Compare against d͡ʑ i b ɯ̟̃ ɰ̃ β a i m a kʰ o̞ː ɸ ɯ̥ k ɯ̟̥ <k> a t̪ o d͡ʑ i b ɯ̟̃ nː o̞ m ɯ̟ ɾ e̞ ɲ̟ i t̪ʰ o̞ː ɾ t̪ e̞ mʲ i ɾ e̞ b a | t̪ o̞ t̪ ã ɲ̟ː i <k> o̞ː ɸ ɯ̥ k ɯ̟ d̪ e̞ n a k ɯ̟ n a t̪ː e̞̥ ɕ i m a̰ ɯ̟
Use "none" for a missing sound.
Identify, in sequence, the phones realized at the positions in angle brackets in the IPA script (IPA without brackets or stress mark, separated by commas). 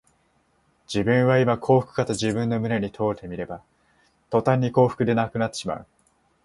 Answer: k, k